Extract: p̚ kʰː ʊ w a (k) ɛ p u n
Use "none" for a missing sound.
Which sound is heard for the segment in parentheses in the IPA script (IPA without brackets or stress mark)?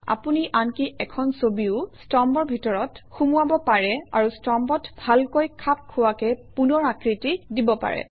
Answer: k